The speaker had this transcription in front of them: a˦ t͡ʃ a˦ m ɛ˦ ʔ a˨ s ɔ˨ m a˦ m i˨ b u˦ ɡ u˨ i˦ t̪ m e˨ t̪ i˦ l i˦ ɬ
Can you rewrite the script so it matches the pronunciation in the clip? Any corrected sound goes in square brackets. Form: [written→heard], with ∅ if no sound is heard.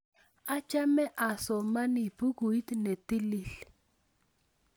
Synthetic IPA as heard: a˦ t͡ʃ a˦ m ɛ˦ ʔ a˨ s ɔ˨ m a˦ [m→n] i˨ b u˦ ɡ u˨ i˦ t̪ [m→n] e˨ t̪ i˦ l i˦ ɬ